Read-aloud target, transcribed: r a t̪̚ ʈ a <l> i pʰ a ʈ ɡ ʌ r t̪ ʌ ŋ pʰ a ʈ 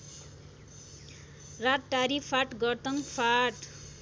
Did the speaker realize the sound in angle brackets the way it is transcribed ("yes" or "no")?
no